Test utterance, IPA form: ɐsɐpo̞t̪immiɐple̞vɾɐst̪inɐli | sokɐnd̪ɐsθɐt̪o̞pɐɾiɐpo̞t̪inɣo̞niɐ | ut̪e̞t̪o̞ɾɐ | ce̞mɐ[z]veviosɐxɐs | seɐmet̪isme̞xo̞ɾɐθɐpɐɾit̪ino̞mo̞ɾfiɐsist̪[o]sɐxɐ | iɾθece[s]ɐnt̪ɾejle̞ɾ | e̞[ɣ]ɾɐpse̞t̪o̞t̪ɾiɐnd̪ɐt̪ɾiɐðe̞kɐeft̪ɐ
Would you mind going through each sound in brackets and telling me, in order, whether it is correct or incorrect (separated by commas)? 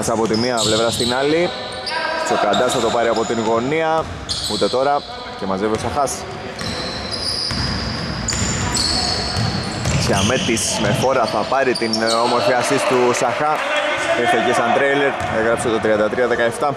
correct, incorrect, correct, correct